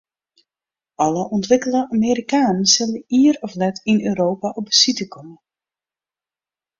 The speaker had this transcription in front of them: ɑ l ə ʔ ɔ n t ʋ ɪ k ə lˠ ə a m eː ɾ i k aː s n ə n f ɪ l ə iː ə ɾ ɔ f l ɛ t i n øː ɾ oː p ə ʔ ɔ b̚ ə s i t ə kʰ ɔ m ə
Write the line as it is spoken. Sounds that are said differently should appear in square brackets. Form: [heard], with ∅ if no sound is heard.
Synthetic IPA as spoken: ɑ l ə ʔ ɔ n t ʋ ɪ k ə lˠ ə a m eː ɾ i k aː [∅] n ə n [s] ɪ l ə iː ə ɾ ɔ f l ɛ t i n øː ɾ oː p [a] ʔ ɔ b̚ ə s i t ə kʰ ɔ m ə

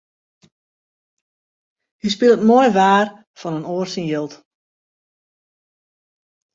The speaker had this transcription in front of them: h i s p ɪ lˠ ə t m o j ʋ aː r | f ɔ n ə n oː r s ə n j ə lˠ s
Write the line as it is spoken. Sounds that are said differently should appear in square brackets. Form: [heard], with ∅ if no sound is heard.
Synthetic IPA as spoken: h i s p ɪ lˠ ə t m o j ʋ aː r | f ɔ n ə n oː r s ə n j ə lˠ [t]

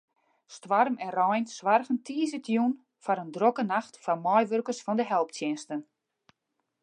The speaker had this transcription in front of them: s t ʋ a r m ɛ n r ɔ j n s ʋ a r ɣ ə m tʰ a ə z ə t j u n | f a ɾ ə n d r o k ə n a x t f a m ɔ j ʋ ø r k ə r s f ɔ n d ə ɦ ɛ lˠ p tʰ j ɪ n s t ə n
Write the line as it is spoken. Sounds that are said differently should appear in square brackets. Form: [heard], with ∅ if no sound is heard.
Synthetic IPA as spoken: s t ʋ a r m ɛ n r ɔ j n s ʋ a r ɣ ə [n] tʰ [i] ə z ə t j u n | f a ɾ ə n d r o k ə n a x t f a m ɔ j ʋ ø r k ə r s f ɔ n d ə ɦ ɛ lˠ p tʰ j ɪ n s t ə n

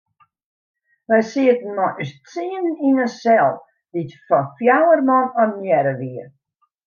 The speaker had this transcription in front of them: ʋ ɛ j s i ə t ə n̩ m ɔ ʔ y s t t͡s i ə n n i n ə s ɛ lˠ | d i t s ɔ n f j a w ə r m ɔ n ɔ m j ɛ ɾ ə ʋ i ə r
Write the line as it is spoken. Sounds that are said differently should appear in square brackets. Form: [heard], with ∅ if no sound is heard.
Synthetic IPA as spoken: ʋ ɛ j s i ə t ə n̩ m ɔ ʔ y s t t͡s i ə n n i n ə s ɛ lˠ | d i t [f] ɔ n f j a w ə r m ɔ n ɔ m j ɛ ɾ ə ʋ i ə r

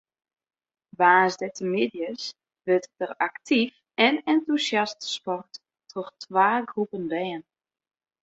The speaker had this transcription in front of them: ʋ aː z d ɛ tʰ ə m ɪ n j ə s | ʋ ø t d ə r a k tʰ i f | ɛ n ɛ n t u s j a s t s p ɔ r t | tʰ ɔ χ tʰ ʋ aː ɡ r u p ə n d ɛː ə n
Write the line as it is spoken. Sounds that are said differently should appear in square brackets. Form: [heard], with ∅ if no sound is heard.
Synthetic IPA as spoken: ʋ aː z d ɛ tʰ ə m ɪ [d] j ə s | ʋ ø t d ə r a k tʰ i f | ɛ n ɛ n t u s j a s t s p ɔ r t | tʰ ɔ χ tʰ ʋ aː ɡ r u p ə n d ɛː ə n

